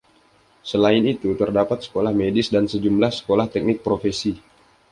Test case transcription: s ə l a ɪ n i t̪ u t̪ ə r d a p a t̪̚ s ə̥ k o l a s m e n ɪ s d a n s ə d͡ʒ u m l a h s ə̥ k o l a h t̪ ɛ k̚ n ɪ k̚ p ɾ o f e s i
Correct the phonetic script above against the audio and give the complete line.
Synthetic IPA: s ə l a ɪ n i t̪ u t̪ ə r d a p a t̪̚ s ə̥ k o l a h m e d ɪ s d a n s ə d͡ʒ u m l a h s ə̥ k o l a h t̪ ɛ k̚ n ɪ k̚ p ɾ o f e s i